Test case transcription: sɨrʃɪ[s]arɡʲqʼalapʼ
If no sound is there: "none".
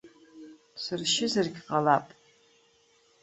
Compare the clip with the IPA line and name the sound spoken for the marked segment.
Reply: z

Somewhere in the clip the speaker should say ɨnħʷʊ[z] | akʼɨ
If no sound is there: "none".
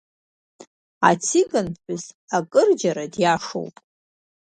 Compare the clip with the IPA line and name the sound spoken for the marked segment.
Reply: z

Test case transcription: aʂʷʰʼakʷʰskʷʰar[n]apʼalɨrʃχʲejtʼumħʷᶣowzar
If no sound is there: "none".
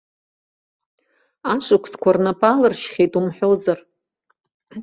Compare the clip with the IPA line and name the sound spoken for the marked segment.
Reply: n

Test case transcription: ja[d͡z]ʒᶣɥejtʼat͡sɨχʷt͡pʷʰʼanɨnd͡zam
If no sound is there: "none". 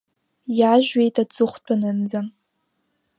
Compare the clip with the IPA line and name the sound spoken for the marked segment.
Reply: none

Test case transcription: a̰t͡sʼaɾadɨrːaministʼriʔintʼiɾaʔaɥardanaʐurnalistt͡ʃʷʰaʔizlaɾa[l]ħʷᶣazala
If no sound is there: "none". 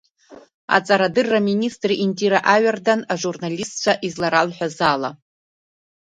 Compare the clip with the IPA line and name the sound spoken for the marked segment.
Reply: l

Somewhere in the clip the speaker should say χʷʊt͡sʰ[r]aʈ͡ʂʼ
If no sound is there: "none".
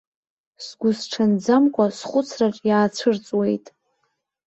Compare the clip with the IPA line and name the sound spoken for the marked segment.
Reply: r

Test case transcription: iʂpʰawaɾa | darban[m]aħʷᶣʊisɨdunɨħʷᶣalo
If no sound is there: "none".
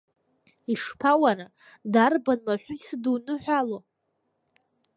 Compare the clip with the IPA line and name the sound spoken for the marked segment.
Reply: m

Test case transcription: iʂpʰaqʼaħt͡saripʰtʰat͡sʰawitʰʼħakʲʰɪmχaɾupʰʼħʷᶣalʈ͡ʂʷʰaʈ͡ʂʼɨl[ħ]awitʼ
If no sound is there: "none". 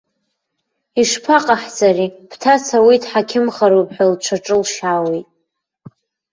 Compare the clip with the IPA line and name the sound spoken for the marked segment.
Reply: ʃ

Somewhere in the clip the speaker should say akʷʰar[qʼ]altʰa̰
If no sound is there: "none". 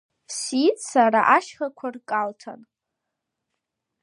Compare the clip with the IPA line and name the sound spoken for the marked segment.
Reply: kʼ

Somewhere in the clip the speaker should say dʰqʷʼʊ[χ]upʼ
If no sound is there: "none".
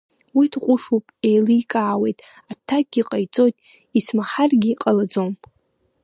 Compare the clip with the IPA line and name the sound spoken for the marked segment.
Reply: ʂ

